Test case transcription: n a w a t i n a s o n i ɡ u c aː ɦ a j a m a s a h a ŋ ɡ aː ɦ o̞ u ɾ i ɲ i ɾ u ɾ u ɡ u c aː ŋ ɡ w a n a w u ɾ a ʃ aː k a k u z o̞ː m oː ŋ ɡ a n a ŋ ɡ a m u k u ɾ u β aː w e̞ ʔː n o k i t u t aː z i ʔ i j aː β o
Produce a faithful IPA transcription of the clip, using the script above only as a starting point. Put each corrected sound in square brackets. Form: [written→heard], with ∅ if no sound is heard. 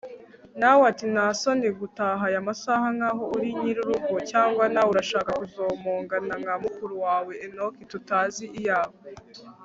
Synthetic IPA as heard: n a w a t i n a s o n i ɡ u [c→t] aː ɦ a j a m a s a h a ŋ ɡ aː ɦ o̞ u ɾ i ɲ i ɾ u ɾ u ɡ [u→o] c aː ŋ ɡ w a n a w u ɾ a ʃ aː k a k u z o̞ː m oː ŋ ɡ a n a ŋ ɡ a m u k u ɾ u [β→w] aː w e̞ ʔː n o k i t u t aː z i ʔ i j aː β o

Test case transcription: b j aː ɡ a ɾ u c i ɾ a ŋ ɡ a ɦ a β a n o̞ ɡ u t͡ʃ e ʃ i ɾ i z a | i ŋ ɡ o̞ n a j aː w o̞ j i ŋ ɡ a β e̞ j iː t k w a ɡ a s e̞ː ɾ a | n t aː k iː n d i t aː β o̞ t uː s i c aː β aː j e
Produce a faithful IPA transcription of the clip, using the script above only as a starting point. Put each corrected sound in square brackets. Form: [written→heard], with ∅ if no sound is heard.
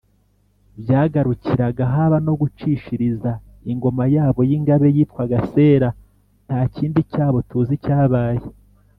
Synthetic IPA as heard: b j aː ɡ a ɾ u c i ɾ a [ŋ→∅] ɡ a ɦ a β a n o̞ ɡ u t͡ʃ [e→i] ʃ i ɾ i z a | i ŋ ɡ o̞ [n→m] a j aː [w→β] o̞ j i ŋ ɡ a β e̞ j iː t k w a ɡ a s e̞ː ɾ a | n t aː [k→c] iː n d i [t→c] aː β o̞ t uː [s→z] i c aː β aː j e

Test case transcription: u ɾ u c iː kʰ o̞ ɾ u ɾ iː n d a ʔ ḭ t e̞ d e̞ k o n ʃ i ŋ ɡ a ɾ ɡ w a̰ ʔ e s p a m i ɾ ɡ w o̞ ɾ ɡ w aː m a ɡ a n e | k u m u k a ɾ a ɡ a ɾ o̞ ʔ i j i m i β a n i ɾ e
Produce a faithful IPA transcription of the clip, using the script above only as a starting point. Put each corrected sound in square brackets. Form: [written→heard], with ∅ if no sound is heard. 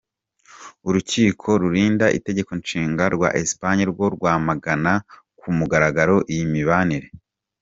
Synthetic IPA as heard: u ɾ u c iː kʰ o̞ ɾ u ɾ iː n d a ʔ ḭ t e̞ [d→ɟ] e̞ k o n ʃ [i→iː] ŋ ɡ a ɾ ɡ w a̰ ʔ e s p a [m→ɲ] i ɾ ɡ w o̞ ɾ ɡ w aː m a ɡ a n [e→a] | k u m u [k→ɡ] a ɾ a ɡ a ɾ o̞ ʔ i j i m i β a n i ɾ e

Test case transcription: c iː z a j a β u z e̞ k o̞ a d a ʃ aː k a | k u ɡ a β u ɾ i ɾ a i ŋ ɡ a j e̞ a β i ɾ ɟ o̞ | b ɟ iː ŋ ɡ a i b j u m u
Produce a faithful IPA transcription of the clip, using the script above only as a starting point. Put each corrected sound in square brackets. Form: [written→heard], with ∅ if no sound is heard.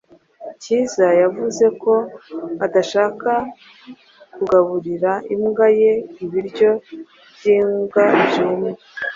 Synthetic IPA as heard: c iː z a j a [β→v] u z e̞ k o̞ a d a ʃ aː k a | k u ɡ a β u ɾ i ɾ a i [ŋ→m] ɡ a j e̞ [a→i] β i ɾ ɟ o̞ | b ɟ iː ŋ ɡ a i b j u m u

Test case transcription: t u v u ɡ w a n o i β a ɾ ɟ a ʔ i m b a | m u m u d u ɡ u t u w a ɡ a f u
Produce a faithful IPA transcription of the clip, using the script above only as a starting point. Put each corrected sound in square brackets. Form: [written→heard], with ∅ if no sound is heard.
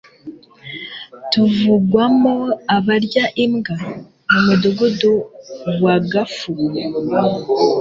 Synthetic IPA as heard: t u v u ɡ w a [n→m] o [i→a] β a ɾ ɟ a ʔ i m [b→ɡ] a | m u m u d u ɡ u [t→d] u w a ɡ a f u

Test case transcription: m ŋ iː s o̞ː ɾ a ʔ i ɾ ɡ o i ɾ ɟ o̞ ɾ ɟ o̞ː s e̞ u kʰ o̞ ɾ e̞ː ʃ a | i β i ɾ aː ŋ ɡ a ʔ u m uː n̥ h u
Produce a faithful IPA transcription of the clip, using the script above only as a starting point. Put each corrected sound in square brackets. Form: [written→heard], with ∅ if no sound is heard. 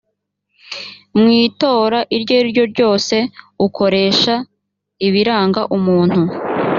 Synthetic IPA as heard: m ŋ iː [s→t] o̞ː ɾ a ʔ i ɾ [ɡ→ɟ] o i ɾ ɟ o̞ ɾ ɟ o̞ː s e̞ u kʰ o̞ ɾ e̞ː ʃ a | i β i ɾ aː ŋ ɡ a ʔ u m uː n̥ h u

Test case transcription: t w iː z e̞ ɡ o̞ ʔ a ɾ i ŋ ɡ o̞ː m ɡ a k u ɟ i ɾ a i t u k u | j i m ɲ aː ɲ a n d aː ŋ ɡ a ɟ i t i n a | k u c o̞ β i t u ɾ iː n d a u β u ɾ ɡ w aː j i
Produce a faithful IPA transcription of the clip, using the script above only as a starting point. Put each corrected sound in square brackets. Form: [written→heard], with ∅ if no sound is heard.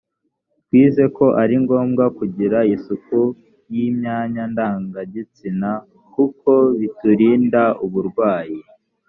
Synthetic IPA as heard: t w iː z e̞ [ɡ→k] o̞ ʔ a ɾ i ŋ ɡ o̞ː m ɡ a k u ɟ i ɾ a i [t→s] u k u | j i m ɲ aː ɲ a n d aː ŋ ɡ a ɟ i [t→t͡s] i n a | k u [c→k] o̞ β i t u ɾ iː n d a u β u ɾ ɡ w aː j i

